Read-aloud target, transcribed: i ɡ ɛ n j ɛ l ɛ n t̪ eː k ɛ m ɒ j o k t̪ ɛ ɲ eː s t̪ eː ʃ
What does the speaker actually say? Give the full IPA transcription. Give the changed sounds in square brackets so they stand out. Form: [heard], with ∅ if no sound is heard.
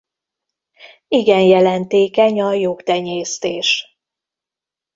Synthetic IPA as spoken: i ɡ ɛ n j ɛ l ɛ n t̪ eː k ɛ [ɲ] ɒ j o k t̪ ɛ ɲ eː s t̪ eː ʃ